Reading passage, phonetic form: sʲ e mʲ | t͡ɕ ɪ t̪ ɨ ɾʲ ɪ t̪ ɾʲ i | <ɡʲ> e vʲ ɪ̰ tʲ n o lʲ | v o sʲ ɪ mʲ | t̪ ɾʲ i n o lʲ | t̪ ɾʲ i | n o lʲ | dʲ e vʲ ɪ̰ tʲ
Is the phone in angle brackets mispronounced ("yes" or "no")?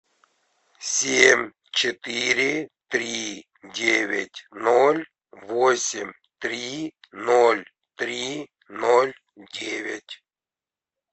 yes